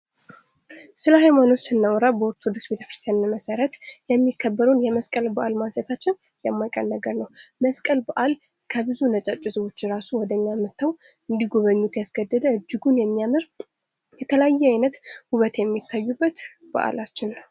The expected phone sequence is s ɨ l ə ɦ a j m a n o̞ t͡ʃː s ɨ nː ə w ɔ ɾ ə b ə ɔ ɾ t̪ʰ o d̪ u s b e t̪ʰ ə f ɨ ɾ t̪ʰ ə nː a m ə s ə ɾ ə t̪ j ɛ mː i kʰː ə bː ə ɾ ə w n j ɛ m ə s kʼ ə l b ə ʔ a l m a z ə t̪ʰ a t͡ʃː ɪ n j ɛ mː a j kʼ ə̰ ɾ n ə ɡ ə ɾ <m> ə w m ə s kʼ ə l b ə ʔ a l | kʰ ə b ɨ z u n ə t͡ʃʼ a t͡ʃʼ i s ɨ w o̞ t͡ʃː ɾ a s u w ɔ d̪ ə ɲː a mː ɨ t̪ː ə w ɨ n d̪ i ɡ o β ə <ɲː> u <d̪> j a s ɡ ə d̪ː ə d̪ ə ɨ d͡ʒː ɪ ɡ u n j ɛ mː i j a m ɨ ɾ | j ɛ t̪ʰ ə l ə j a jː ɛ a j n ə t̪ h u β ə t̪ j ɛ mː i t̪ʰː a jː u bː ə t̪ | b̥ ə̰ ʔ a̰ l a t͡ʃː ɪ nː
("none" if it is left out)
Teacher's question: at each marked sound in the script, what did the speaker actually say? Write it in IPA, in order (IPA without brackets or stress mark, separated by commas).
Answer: n, ɲː, t̪